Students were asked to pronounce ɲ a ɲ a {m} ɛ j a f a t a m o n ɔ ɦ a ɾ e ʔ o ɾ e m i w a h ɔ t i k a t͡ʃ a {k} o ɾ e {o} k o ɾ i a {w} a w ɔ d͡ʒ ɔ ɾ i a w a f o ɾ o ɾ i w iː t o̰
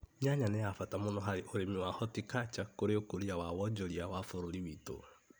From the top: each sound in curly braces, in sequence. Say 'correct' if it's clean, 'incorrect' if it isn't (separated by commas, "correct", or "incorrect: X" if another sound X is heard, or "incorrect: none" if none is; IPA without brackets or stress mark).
incorrect: n, correct, correct, correct